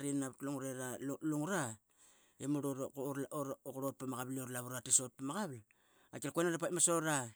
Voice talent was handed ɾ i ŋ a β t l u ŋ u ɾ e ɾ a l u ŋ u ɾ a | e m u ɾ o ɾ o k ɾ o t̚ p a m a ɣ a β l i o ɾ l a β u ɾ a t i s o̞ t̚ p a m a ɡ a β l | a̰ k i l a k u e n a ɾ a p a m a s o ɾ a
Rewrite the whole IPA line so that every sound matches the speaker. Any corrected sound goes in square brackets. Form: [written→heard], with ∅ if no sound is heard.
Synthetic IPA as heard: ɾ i [ŋ→n] a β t l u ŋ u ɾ e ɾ a l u ŋ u ɾ a | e m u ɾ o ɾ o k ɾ o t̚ p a m a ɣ a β l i o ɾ l a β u ɾ a t i s o̞ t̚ p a m a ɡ a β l | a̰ k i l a k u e n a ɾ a p a m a s o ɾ a